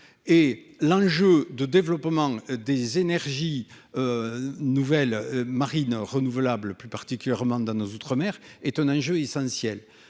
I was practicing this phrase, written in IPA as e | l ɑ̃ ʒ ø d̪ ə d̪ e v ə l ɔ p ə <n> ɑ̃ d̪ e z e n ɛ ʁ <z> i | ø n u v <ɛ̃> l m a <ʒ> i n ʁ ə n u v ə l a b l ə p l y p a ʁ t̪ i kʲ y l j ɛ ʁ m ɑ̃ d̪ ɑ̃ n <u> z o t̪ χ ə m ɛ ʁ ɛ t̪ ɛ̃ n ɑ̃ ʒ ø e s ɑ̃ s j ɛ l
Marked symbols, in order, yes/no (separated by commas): no, no, no, no, no